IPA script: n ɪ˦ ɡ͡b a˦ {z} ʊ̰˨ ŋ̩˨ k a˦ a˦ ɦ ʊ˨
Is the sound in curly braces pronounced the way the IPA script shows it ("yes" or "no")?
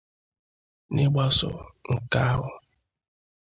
no